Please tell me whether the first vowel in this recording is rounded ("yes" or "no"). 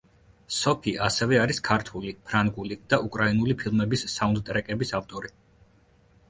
yes